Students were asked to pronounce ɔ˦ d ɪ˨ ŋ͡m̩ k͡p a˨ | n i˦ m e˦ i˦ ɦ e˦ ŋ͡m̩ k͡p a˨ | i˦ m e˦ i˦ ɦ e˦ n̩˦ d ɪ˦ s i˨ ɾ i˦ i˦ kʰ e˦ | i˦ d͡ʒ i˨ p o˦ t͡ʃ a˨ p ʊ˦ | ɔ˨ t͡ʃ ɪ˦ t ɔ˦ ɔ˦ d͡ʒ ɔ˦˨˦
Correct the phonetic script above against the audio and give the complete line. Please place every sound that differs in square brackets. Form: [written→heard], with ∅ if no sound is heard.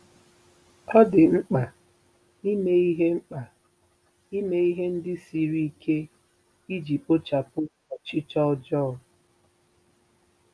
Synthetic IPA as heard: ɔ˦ d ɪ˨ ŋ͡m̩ k͡p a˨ | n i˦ m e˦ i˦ ɦ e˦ ŋ͡m̩ k͡p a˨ | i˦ m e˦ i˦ ɦ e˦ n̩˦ d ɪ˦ s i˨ ɾ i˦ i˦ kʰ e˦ | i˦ d͡ʒ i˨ p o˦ t͡ʃ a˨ p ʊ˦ | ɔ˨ t͡ʃ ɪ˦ [t→t͡ʃ] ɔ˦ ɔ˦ d͡ʒ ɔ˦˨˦